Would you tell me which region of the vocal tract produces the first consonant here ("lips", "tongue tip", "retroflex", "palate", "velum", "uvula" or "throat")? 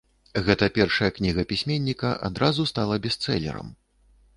velum